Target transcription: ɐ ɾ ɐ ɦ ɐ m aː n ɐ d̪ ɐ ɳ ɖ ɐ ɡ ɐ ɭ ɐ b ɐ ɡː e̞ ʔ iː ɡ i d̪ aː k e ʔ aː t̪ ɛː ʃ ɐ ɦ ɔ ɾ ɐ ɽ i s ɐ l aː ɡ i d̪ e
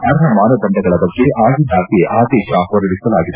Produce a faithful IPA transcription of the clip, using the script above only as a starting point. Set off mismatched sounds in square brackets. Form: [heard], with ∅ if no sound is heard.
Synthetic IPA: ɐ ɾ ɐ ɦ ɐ m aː n ɐ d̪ ɐ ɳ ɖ ɐ ɡ ɐ ɭ ɐ b ɐ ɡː e̞ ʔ [aː] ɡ i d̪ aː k e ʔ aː [d̪] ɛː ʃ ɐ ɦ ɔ ɾ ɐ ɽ i s ɐ l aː ɡ i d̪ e